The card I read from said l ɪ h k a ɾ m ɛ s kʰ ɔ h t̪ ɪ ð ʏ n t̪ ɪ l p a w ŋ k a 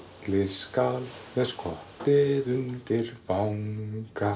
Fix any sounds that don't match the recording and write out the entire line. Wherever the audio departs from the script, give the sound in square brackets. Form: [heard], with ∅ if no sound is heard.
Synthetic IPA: l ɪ [s] k a [l] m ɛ s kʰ ɔ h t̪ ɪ ð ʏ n t̪ ɪ [ɾ] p a w ŋ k a